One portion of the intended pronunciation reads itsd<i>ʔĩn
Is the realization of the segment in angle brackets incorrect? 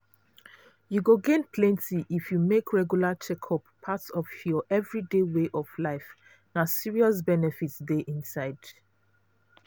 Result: yes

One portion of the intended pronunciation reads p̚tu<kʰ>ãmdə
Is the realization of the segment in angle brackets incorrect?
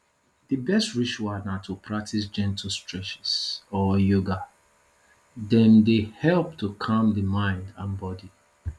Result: no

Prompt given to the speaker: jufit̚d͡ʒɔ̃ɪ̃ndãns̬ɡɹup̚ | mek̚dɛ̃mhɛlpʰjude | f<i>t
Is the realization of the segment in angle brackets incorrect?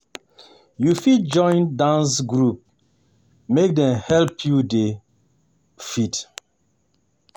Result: no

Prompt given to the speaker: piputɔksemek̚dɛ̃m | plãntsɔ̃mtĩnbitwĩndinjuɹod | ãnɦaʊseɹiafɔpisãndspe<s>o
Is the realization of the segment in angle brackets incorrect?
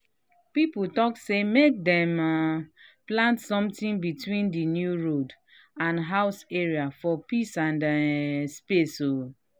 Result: no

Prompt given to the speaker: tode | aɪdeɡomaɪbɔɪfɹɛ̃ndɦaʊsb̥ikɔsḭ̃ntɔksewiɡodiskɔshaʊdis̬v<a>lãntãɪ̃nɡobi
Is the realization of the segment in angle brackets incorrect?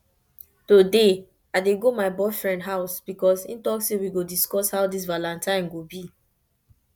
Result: no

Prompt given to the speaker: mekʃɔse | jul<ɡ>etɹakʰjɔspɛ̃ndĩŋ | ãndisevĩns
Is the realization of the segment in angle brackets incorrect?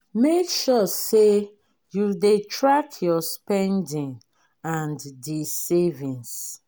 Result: yes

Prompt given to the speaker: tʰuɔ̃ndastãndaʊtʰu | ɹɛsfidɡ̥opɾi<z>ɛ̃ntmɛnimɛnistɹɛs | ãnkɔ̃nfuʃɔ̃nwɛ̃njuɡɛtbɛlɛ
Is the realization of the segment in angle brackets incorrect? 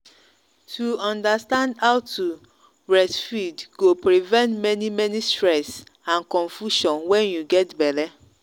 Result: yes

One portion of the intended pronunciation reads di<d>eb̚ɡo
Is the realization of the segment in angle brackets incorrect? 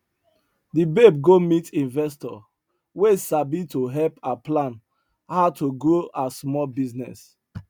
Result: yes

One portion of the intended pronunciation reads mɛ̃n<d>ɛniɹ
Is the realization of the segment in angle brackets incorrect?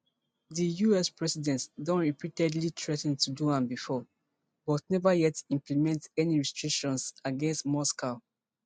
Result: yes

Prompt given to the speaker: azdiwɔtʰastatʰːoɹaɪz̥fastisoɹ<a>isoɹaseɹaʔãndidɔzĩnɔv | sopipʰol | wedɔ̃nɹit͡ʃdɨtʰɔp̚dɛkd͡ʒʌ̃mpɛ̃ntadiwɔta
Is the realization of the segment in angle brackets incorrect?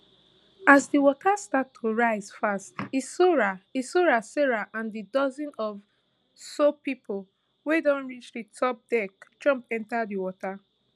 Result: no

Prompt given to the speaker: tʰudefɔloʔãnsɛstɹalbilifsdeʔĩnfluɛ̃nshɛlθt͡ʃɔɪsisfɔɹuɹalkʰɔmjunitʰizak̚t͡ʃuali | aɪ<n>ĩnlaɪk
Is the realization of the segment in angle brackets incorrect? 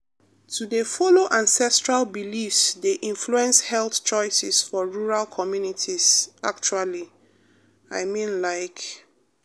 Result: yes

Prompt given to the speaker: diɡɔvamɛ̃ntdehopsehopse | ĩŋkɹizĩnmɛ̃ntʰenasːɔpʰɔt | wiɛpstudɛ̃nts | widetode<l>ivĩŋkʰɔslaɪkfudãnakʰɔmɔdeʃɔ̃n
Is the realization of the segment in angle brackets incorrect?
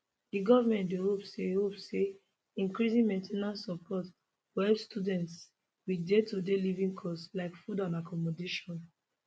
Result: no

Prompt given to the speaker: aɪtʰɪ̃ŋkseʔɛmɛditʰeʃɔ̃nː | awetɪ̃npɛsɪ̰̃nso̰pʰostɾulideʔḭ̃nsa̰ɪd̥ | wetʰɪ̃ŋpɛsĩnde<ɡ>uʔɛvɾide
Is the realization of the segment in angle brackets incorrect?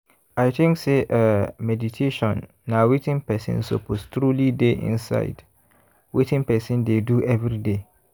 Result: yes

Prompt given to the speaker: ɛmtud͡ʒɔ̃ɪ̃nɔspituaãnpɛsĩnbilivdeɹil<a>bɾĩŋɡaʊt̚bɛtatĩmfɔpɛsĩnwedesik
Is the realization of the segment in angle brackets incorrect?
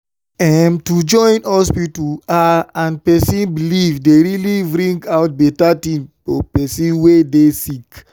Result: yes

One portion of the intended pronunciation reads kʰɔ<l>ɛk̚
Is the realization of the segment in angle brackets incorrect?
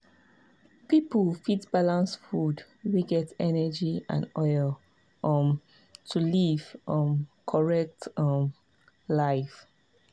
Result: yes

